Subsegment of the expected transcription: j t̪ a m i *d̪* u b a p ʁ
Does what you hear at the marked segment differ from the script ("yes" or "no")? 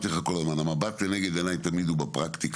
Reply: no